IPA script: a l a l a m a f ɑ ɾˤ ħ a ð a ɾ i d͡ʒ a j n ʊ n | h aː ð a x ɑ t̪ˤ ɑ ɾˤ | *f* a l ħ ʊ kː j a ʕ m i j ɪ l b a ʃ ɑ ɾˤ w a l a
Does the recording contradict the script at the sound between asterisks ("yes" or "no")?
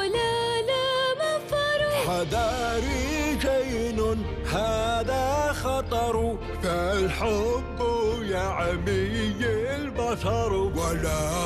no